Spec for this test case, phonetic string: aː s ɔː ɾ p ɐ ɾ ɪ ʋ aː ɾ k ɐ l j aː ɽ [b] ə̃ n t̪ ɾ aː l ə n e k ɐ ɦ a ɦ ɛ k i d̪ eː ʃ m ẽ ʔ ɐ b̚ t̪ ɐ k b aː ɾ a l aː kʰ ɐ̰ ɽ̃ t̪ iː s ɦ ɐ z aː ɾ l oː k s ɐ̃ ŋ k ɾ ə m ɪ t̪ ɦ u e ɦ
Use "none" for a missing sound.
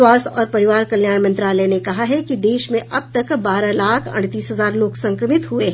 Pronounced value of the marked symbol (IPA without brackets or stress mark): m